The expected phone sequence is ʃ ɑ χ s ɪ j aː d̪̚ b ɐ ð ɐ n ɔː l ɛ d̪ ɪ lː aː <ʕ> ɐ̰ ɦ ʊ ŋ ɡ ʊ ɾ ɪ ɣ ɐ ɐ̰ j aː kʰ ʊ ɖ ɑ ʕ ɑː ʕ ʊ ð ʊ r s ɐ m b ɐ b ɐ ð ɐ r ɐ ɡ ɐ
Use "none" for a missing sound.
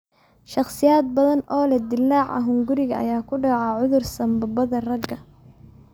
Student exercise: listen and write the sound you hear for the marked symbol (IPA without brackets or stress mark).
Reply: ʕ